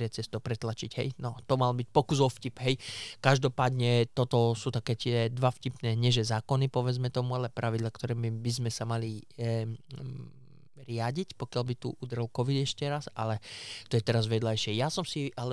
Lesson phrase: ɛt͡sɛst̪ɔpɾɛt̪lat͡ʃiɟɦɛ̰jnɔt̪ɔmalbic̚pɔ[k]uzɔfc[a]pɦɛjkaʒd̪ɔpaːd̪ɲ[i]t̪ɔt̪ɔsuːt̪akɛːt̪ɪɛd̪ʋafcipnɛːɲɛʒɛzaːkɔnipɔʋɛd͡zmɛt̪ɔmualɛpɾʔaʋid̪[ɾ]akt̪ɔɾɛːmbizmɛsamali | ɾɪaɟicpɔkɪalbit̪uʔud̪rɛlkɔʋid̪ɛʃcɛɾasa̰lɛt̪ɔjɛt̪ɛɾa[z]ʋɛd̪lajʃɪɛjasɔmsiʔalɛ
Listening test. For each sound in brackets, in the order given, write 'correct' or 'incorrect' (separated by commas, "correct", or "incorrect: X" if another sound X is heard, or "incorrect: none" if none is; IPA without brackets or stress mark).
correct, incorrect: i, incorrect: ɛ, incorrect: l, correct